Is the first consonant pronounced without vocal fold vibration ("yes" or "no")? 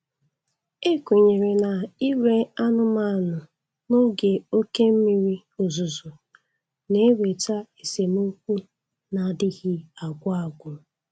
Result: yes